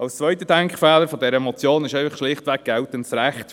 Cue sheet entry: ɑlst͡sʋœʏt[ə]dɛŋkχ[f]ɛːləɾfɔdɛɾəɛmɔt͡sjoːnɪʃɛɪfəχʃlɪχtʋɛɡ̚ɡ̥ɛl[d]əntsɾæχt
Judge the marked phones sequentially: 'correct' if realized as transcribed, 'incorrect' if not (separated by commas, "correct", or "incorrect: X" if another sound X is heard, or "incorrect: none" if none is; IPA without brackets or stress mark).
correct, correct, incorrect: t